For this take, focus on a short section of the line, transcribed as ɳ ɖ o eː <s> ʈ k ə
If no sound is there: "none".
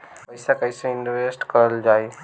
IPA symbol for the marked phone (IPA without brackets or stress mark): s